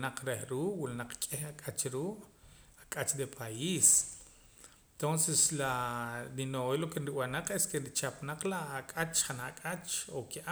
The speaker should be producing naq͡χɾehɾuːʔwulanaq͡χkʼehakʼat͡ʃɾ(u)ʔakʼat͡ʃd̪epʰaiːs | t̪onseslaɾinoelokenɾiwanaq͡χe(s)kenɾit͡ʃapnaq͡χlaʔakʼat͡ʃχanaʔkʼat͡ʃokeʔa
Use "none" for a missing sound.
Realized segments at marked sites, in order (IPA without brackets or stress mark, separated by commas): uː, s